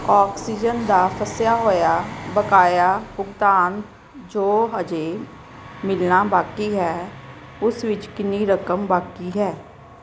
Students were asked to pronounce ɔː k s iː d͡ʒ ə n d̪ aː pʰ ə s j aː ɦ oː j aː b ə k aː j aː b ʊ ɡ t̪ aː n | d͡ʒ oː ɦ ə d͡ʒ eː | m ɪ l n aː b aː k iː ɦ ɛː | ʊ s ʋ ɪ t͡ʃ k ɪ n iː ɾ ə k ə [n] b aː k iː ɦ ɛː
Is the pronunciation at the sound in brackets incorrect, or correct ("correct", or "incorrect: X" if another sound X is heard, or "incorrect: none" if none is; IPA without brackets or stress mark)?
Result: incorrect: m